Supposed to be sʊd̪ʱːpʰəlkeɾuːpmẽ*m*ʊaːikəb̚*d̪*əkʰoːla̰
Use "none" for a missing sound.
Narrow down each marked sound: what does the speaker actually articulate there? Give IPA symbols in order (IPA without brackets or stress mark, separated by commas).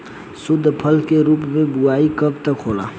b, t̪